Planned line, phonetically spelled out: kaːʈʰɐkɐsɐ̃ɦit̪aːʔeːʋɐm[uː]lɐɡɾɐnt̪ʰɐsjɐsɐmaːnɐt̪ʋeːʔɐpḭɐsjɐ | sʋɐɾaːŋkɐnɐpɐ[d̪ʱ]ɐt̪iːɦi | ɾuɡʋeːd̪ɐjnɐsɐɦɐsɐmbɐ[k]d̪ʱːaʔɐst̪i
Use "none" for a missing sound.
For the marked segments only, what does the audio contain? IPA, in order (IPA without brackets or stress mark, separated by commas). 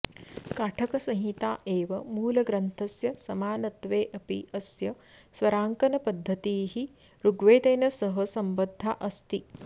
uː, d̪ʱː, none